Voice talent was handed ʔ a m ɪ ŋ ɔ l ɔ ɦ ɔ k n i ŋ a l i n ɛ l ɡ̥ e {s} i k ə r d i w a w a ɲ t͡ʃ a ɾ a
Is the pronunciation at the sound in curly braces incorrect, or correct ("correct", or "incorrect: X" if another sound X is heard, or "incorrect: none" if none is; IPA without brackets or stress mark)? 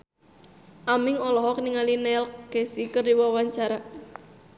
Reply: correct